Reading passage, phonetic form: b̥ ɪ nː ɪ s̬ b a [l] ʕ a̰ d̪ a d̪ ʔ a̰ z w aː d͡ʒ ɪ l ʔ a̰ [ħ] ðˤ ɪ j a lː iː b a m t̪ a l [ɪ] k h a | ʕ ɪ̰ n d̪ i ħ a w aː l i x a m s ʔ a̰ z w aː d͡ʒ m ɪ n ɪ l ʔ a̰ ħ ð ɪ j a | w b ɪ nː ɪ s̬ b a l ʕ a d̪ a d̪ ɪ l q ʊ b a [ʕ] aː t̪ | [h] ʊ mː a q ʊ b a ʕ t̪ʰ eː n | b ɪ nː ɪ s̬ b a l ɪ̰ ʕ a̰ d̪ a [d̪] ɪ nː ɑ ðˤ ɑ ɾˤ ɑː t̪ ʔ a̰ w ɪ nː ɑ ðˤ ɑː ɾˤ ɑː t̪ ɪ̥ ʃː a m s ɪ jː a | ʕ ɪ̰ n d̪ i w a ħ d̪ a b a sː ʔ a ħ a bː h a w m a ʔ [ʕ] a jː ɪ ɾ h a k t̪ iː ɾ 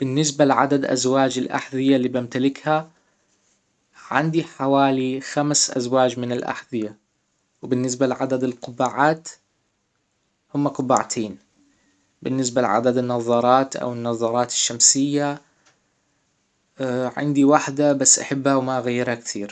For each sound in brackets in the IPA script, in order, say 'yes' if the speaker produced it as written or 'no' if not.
yes, yes, yes, yes, yes, yes, no

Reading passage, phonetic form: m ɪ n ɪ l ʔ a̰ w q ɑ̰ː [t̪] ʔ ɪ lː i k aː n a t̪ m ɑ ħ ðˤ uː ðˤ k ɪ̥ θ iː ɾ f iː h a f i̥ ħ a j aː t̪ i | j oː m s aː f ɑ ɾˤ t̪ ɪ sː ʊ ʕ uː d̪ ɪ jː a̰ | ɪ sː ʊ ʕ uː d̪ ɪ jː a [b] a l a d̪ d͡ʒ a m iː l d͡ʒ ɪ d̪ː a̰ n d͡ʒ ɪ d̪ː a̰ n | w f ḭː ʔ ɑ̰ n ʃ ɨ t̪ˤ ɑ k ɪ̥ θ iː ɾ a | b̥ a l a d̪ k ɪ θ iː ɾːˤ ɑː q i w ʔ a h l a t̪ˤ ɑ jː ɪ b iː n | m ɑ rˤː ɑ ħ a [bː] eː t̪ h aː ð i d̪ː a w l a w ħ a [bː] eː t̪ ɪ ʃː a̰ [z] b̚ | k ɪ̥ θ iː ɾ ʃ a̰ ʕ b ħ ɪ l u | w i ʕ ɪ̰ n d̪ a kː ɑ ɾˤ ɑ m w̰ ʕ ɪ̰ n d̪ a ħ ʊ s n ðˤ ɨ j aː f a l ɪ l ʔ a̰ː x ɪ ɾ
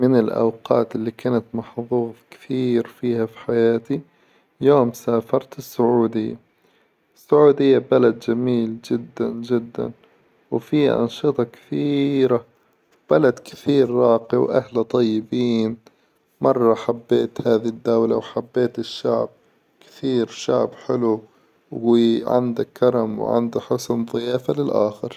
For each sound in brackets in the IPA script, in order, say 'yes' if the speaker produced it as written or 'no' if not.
yes, yes, yes, yes, no

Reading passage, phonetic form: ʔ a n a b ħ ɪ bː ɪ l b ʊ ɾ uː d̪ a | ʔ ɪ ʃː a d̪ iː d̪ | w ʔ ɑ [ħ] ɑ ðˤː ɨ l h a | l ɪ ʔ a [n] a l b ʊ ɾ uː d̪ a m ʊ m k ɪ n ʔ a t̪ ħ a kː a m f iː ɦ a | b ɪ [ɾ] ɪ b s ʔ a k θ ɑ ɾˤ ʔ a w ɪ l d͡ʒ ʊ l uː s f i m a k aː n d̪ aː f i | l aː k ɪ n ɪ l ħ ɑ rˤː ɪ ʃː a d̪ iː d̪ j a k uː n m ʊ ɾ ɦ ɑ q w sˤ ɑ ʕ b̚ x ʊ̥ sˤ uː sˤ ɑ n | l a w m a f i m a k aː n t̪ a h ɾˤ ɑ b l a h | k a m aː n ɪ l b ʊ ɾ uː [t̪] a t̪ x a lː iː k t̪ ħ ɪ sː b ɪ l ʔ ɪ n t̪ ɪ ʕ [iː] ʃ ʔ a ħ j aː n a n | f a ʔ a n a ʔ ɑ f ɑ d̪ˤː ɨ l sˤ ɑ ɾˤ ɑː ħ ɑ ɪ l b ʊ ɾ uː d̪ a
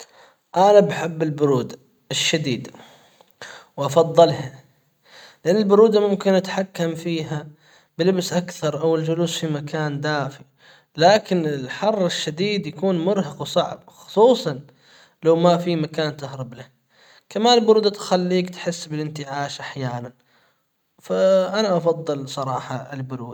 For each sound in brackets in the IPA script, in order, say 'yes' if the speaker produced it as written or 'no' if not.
no, no, no, no, no

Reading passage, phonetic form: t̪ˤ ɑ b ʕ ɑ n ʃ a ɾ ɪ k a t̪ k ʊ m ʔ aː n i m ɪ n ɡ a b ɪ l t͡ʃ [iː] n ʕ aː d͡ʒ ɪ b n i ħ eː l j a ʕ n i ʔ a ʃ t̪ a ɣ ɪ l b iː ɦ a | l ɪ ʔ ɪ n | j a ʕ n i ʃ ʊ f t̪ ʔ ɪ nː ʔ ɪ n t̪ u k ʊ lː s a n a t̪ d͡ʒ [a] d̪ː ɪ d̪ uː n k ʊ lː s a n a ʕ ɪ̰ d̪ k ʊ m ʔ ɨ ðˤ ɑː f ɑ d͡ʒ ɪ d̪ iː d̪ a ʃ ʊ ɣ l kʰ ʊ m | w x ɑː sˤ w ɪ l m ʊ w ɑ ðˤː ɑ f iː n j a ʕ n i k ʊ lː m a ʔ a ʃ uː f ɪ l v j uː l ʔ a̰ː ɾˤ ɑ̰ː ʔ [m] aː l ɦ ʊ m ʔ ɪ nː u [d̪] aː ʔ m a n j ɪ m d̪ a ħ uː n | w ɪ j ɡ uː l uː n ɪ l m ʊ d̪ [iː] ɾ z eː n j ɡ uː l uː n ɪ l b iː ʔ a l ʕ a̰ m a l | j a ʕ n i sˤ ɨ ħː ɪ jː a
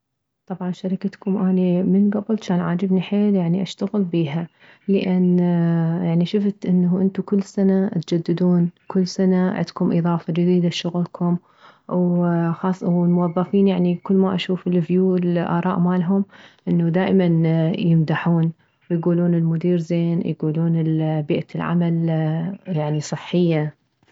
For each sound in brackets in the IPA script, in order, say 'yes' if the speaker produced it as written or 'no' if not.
no, yes, yes, yes, yes

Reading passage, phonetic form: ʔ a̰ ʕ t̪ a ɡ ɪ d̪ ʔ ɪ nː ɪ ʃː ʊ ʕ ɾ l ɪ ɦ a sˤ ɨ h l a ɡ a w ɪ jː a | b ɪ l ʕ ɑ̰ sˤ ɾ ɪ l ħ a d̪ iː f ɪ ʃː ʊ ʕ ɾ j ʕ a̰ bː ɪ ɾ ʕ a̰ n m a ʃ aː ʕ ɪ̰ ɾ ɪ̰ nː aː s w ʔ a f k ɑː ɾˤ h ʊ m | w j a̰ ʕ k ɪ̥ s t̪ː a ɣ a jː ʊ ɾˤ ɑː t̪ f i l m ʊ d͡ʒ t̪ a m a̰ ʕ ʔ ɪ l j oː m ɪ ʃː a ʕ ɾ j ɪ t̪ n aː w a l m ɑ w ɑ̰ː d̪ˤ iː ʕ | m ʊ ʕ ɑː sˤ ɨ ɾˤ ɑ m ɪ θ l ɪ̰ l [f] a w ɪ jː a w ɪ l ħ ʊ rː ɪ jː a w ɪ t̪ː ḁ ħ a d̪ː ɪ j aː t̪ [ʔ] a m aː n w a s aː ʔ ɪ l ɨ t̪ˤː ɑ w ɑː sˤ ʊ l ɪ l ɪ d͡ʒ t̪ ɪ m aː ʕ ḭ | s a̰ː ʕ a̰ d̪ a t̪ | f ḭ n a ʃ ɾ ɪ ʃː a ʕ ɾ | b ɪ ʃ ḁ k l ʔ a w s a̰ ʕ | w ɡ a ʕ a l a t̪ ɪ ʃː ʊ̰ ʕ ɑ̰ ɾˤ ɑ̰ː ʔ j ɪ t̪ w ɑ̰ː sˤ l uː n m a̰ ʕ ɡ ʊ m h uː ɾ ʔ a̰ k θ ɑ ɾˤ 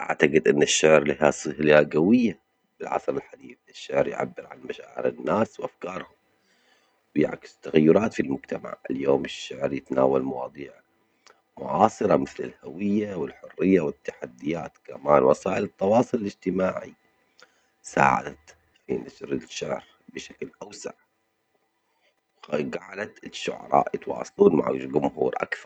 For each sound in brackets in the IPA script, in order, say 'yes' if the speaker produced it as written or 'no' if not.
no, no

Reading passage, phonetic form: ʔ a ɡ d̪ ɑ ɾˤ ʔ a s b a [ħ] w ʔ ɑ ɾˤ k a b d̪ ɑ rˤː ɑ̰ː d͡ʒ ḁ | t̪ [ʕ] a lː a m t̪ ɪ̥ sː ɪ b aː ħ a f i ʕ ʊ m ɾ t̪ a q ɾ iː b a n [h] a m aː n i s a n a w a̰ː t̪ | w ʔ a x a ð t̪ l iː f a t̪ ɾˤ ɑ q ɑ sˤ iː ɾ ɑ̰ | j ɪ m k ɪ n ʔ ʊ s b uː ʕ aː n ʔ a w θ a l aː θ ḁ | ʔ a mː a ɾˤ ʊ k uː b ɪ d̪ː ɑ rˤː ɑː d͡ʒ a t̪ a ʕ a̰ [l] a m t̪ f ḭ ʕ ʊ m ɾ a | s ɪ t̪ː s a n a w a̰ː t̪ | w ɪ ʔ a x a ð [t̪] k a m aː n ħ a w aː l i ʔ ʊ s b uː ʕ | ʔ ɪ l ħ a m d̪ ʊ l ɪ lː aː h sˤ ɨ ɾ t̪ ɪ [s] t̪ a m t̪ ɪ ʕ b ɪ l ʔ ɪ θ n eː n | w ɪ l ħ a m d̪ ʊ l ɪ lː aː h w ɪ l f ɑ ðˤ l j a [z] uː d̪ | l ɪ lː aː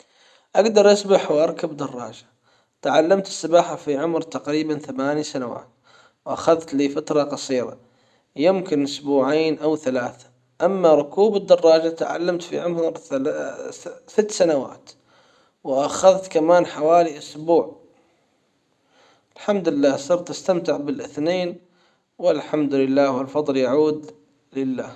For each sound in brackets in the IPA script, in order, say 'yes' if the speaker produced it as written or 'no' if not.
yes, yes, no, no, yes, yes, no

